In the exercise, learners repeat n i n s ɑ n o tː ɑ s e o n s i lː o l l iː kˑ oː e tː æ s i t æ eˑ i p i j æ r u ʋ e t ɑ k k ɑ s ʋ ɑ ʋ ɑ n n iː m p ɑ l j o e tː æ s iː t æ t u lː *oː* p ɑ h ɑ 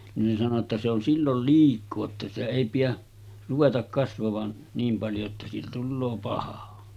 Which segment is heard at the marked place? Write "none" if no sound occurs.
oː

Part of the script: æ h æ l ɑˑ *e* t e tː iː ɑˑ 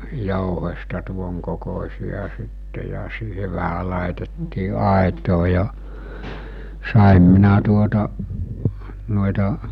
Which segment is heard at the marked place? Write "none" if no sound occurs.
e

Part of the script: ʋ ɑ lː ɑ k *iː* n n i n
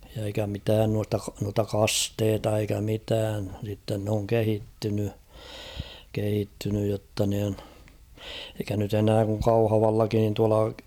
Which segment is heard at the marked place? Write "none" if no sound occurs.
i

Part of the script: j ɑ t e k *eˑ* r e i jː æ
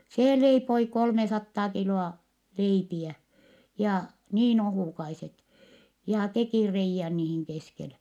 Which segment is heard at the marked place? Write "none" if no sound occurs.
iˑ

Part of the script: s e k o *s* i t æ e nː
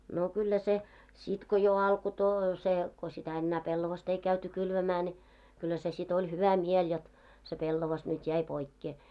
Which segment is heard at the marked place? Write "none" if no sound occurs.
s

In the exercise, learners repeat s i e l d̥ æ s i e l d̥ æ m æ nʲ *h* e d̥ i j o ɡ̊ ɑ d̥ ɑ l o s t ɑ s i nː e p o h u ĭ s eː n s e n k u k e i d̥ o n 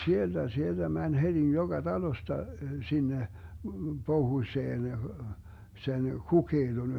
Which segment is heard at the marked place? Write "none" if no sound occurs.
h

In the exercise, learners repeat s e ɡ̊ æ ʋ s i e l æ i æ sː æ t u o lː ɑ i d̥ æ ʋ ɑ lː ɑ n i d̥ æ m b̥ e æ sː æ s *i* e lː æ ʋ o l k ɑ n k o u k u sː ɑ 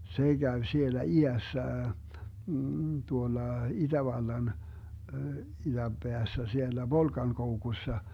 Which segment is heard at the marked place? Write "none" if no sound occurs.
i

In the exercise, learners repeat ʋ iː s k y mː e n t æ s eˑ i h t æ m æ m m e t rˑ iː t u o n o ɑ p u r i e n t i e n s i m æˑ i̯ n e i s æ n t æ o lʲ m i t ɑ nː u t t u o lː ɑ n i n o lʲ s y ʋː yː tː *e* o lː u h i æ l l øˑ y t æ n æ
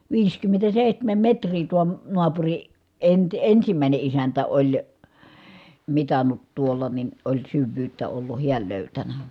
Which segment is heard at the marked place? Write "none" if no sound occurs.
æ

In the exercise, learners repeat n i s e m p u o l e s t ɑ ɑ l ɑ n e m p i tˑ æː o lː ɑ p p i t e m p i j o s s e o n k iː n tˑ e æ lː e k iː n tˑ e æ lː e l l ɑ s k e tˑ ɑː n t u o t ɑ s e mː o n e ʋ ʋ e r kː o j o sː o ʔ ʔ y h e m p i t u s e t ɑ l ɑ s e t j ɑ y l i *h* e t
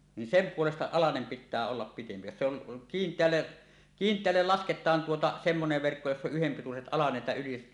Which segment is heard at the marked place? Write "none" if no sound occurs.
s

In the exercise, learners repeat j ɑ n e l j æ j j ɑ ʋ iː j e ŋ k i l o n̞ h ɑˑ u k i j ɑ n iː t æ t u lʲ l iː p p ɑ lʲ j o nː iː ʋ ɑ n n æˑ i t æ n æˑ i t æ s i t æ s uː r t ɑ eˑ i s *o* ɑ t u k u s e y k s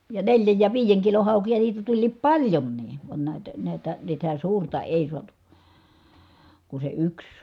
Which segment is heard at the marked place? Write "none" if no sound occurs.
u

